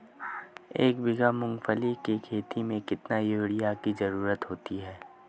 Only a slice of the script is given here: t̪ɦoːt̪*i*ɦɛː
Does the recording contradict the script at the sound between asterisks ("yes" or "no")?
no